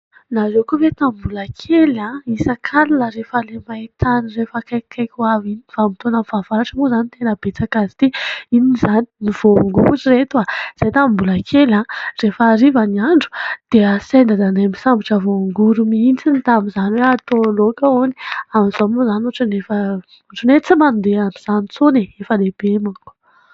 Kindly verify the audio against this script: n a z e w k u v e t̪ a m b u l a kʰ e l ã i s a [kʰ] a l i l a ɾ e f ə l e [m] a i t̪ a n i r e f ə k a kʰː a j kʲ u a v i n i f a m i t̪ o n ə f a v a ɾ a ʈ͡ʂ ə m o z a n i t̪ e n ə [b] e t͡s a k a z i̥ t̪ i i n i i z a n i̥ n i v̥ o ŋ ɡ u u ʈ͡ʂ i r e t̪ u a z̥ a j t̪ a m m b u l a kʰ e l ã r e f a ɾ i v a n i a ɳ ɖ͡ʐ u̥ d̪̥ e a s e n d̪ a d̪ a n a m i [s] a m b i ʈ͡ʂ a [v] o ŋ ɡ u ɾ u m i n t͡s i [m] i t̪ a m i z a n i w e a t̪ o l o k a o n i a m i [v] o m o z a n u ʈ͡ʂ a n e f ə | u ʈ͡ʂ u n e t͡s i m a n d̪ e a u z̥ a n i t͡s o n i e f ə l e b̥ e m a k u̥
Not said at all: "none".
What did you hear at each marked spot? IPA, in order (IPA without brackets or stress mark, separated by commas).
kʰ, m, b, s, v, n, z